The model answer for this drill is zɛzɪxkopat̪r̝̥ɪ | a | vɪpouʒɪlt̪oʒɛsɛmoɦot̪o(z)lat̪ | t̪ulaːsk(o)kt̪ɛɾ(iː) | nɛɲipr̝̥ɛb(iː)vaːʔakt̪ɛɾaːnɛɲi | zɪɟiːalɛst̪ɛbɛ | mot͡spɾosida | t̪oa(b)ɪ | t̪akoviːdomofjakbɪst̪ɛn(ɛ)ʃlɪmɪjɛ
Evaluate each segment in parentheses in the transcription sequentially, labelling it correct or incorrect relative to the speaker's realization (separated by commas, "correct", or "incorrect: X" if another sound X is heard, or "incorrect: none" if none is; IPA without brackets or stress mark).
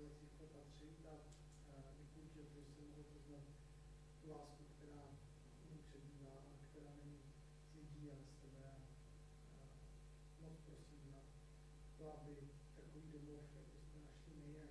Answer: correct, incorrect: u, incorrect: aː, correct, correct, incorrect: a